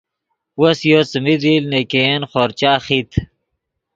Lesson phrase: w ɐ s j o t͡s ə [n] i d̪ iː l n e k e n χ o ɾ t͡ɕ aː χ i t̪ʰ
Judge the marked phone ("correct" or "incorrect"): incorrect